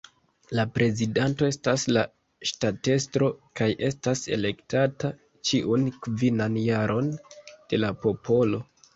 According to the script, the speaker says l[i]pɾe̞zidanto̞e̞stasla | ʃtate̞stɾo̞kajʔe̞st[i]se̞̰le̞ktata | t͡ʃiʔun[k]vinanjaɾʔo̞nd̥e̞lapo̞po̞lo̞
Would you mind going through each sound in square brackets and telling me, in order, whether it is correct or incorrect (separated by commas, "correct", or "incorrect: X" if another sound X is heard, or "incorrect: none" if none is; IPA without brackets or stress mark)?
incorrect: a, incorrect: a, correct